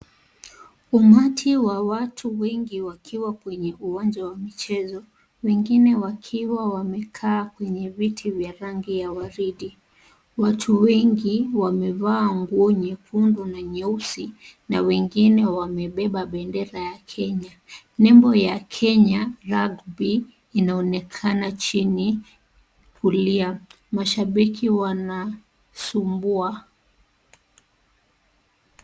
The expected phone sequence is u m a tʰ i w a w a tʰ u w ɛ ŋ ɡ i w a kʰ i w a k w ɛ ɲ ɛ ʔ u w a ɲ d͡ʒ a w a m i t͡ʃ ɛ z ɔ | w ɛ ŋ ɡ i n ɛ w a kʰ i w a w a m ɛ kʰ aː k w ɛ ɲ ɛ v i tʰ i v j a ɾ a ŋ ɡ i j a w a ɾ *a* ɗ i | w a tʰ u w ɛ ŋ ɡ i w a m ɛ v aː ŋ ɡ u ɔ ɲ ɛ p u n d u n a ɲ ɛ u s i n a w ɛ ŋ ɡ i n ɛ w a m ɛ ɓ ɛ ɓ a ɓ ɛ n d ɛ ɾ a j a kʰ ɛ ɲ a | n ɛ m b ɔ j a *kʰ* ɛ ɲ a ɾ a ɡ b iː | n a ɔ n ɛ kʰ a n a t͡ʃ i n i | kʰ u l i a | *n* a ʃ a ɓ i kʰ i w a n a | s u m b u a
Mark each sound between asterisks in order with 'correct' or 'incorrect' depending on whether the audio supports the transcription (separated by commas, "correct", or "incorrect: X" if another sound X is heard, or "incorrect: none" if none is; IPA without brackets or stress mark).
incorrect: i, correct, incorrect: m